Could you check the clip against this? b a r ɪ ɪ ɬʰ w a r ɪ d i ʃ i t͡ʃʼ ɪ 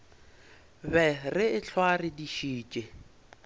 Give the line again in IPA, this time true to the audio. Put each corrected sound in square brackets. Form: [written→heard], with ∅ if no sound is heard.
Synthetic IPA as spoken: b [a→ɛ] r ɪ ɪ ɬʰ w a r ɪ d i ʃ [i→iː] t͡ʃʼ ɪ